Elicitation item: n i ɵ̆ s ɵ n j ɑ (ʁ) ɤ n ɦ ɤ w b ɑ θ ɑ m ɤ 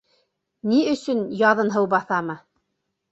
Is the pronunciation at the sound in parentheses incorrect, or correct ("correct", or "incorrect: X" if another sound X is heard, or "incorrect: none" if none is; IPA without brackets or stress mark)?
incorrect: ð